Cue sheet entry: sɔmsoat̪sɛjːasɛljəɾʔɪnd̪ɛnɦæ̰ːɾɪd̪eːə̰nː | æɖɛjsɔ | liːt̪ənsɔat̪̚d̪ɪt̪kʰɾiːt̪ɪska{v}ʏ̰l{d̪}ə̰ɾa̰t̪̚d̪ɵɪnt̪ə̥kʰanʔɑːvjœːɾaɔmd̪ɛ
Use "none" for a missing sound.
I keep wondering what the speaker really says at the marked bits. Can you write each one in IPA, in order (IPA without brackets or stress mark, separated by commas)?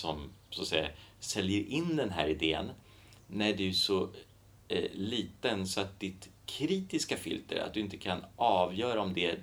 f, t̪